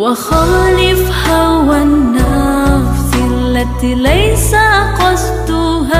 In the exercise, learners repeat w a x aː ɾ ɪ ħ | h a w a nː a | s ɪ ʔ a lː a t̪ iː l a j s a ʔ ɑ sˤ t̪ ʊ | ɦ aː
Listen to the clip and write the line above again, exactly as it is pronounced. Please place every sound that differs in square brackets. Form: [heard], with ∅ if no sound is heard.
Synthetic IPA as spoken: w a x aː [l] ɪ [f] | h a w a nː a | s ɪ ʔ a lː a t̪ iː l a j s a [q] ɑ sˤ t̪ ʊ | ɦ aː

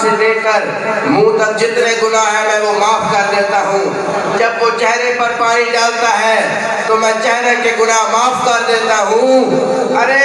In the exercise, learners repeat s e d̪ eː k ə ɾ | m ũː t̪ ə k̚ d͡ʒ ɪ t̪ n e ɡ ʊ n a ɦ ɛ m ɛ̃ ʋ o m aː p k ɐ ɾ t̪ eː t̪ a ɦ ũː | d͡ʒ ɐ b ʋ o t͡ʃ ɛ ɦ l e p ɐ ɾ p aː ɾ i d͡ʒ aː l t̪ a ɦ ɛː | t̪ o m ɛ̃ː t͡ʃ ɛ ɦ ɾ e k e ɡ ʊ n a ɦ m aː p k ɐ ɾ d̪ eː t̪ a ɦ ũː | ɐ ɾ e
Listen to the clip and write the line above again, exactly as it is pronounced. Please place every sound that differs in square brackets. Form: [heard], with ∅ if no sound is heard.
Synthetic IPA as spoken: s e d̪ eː k ə ɾ | m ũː t̪ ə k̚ d͡ʒ ɪ t̪ n e ɡ ʊ n a ɦ ɛ m ɛ̃ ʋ o m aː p k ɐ ɾ [d̪] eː t̪ a ɦ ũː | d͡ʒ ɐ b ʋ o t͡ʃ ɛ ɦ [ɾ] e p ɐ ɾ p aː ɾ i d͡ʒ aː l t̪ a ɦ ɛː | t̪ o m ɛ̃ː t͡ʃ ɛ ɦ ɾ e k e ɡ ʊ n a ɦ m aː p k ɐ ɾ d̪ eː t̪ a ɦ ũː | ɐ ɾ e

